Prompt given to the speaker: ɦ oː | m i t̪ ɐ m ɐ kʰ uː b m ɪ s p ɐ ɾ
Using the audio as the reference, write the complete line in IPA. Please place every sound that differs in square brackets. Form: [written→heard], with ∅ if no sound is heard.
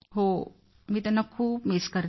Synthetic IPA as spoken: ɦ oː | m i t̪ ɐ [m→n] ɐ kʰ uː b m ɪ s [p→k] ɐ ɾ